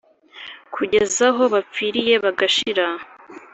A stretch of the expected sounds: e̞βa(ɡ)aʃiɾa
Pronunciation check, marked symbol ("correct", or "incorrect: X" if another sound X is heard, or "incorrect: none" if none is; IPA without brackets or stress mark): correct